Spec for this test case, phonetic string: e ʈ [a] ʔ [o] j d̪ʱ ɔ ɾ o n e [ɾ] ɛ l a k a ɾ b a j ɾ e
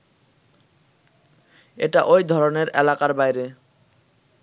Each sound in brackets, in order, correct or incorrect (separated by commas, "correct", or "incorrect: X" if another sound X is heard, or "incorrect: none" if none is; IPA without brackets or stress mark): correct, correct, correct